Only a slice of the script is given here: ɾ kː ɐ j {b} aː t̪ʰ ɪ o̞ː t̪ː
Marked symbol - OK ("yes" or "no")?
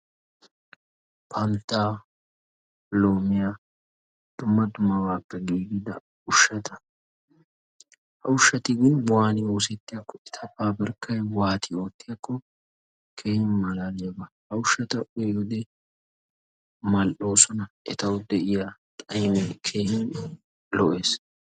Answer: no